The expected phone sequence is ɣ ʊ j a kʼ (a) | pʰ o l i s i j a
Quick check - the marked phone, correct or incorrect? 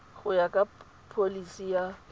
correct